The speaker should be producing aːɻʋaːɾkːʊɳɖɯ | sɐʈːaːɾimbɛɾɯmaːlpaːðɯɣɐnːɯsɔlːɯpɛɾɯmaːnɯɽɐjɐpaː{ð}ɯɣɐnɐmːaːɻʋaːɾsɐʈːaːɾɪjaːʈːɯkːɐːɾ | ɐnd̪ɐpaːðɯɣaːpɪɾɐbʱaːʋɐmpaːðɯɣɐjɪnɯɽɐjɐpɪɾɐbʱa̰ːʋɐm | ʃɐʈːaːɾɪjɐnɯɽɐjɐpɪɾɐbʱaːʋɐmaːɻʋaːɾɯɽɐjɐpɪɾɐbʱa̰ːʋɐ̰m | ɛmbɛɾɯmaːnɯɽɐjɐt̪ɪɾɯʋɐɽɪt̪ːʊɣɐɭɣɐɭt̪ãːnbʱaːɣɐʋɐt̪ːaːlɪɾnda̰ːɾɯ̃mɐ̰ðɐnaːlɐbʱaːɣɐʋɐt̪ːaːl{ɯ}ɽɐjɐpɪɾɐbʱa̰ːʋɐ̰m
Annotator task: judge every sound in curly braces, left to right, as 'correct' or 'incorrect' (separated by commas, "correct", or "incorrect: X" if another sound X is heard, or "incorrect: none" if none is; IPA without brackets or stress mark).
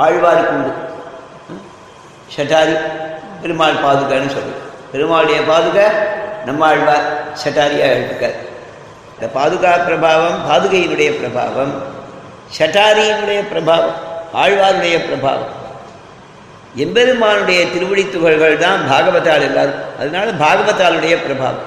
correct, correct